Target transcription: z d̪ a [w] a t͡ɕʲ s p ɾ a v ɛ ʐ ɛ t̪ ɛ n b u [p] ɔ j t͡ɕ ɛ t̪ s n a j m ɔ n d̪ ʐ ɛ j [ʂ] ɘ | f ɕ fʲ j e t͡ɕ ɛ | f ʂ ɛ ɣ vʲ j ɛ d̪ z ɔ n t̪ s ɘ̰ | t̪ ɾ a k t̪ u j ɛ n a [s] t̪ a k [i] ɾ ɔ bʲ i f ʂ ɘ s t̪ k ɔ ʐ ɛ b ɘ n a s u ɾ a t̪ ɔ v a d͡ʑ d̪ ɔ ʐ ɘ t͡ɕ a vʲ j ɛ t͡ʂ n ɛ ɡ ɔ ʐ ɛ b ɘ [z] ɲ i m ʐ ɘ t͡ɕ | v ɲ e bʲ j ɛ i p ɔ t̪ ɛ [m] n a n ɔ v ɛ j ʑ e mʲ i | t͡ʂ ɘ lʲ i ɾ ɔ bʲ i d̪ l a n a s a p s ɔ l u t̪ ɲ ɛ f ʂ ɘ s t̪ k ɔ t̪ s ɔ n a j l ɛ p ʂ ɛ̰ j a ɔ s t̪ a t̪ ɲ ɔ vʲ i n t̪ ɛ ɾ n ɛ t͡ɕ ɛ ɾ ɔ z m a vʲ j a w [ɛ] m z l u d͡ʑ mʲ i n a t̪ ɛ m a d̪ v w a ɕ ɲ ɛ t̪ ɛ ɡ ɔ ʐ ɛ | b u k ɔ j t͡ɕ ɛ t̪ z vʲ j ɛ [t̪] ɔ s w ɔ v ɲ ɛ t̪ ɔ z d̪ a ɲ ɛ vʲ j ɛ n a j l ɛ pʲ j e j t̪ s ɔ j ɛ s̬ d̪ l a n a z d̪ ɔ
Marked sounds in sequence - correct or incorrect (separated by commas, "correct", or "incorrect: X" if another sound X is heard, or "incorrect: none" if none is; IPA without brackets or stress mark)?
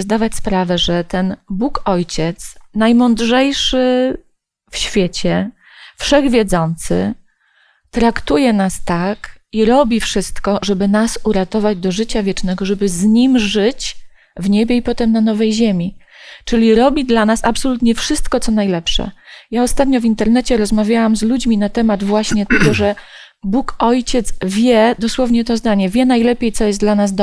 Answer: incorrect: v, incorrect: k, correct, correct, correct, correct, correct, incorrect: a, incorrect: d̪